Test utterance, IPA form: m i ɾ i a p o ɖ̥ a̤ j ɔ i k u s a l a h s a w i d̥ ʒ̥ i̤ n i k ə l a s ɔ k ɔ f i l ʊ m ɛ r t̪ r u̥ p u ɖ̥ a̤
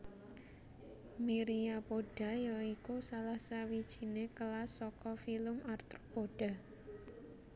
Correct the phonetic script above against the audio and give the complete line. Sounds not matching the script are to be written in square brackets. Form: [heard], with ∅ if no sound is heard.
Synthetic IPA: m i ɾ i a p o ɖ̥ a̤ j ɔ i k u s a l a h s a w i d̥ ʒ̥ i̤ n [e] k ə l a s ɔ k ɔ f i l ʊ m [a] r t̪ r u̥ p [o] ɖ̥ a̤